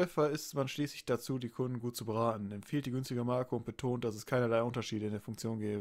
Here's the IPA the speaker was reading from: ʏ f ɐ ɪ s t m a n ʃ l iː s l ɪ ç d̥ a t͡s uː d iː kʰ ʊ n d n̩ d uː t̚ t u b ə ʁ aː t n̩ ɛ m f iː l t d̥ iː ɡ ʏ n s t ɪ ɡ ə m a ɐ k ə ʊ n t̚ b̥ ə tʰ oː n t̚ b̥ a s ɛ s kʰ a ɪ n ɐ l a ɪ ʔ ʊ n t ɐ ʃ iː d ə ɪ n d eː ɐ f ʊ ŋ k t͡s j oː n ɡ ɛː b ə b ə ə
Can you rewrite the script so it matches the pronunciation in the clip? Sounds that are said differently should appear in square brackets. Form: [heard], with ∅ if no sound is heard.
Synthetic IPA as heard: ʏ f ɐ ɪ s t m a n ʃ l iː s l ɪ ç d̥ a t͡s uː d iː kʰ ʊ n d n̩ [ɡ] uː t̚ [t͡s] u b ə ʁ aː t n̩ ɛ m f iː l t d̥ iː ɡ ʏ n s t ɪ ɡ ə m a ɐ k ə ʊ n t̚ b̥ ə tʰ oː n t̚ [d̥] a s ɛ s kʰ a ɪ n ɐ l a ɪ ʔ ʊ n t ɐ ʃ iː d ə ɪ n d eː ɐ f ʊ ŋ k t͡s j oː n ɡ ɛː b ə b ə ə